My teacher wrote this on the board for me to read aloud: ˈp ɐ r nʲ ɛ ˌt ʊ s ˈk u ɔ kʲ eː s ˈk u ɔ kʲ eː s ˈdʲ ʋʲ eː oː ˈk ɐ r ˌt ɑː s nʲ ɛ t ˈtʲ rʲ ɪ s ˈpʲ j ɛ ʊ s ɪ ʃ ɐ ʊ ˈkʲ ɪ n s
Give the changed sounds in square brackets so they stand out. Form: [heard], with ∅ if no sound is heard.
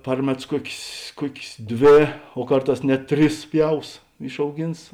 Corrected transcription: ˈp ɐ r [mʲ] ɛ ˌt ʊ s ˈk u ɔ kʲ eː s ˈk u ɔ kʲ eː s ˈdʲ ʋʲ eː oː ˈk ɐ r ˌt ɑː s nʲ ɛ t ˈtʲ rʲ ɪ s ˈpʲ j ɛ ʊ s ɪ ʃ ɐ ʊ [ˈɡʲ] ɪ n s